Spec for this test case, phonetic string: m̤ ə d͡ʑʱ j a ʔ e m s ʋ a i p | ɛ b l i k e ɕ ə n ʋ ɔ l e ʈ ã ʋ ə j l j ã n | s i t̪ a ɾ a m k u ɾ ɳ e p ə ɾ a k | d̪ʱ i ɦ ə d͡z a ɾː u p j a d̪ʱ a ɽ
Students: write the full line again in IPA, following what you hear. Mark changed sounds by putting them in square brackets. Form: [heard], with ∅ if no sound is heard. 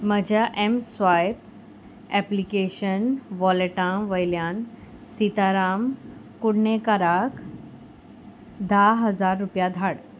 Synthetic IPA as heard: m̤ ə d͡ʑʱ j a ʔ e m s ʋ a [j] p | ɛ [p] l i k e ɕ ə n ʋ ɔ l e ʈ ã ʋ ə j l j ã n | s i t̪ a ɾ a m k u [ɽ] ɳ e [k] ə ɾ a k | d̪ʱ [a] ɦ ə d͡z a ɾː u p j a d̪ʱ a ɽ

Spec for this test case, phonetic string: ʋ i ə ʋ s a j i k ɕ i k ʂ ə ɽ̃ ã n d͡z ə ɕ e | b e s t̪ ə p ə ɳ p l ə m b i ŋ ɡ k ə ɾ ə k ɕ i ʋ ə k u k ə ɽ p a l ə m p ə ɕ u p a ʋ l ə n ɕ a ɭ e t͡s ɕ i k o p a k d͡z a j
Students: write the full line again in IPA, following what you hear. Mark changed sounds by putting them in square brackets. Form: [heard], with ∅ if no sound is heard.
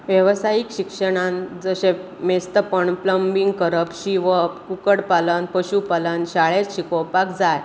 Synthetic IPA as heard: ʋ [j] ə ʋ s a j i k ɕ i k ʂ ə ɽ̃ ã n d͡z ə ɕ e | [m] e s t̪ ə p ə ɳ p l ə m b i ŋ ɡ k ə ɾ ə [p] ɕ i ʋ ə k u k ə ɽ p a l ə [n] p ə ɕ u p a [∅] l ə n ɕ a ɭ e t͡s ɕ i k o p a k d͡z a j

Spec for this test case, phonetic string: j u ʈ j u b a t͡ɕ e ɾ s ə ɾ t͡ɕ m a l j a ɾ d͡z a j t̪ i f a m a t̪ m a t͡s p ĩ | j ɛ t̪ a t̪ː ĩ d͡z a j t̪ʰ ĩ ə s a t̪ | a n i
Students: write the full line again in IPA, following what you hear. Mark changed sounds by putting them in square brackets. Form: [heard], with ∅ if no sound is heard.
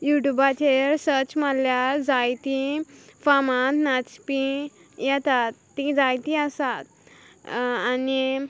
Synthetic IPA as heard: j u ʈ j u b a t͡ɕ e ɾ s ə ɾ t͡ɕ m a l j a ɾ d͡z a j t̪ i f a m a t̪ [n] a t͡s p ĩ | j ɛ t̪ a t̪ː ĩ d͡z a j [t̪] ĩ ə s a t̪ | a n i

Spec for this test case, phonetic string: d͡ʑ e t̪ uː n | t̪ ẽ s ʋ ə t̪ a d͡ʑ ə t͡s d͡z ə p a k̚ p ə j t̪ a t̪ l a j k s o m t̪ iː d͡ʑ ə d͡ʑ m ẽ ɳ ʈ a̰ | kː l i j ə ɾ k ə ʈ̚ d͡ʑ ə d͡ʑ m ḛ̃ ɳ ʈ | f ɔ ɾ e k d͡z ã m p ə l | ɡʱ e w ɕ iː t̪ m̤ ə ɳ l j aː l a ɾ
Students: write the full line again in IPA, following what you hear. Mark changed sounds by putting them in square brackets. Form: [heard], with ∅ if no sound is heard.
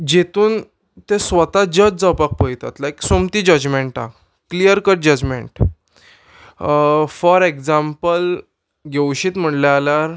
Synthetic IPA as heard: d͡ʑ e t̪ uː n | t̪ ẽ s ʋ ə t̪ a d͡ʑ ə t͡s d͡z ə p a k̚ p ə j t̪ a t̪ l a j k s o m t̪ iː d͡ʑ ə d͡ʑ m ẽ ɳ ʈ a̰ | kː l i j ə ɾ k ə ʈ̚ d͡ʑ ə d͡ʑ m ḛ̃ ɳ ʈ | f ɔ ɾ e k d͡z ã m p ə l | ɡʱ e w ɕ iː t̪ m̤ ə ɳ l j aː l a ɾ

